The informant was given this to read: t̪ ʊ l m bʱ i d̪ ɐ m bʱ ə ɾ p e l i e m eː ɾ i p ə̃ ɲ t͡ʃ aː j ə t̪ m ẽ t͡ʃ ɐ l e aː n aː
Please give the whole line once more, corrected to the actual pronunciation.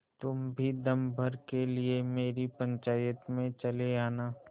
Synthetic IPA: t̪ ʊ m bʱ i d̪ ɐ m bʱ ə ɾ k e l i e m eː ɾ i p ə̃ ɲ t͡ʃ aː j ə t̪ m ẽ t͡ʃ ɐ l e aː n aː